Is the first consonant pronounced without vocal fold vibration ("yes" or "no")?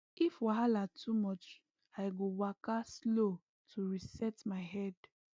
yes